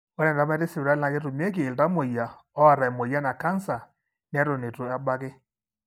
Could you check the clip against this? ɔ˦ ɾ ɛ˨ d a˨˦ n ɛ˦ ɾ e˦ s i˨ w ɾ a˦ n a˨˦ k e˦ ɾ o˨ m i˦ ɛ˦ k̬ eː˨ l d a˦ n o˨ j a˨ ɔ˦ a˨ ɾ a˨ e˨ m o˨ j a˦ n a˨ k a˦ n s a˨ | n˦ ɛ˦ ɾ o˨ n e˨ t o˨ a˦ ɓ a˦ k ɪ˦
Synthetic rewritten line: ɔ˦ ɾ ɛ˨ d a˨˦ m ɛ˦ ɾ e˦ s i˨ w ɾ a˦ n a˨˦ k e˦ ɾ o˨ m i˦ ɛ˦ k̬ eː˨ l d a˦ m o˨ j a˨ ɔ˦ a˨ ɾ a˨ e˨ m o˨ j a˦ n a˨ k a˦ n s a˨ | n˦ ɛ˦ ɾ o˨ n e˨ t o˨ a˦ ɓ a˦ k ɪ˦